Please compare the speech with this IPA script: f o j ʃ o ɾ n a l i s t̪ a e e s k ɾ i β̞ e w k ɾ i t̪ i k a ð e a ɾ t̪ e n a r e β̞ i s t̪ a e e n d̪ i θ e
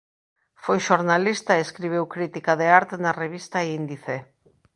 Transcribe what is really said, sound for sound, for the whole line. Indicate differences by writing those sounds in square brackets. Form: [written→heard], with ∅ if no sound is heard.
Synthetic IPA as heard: f o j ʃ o ɾ n a l i s t̪ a e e s k ɾ i β̞ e w k ɾ i t̪ i k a ð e a ɾ t̪ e n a r e β̞ i s t̪ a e [e→i] n d̪ i θ e